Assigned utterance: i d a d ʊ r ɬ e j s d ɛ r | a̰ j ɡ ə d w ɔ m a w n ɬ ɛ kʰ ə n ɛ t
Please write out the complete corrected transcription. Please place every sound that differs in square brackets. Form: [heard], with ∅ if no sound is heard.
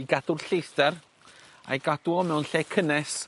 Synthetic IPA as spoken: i [ɡ] a d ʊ r ɬ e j s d ɛ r | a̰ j ɡ [a] d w ɔ m [ɛ] w n ɬ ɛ kʰ ə n ɛ [s]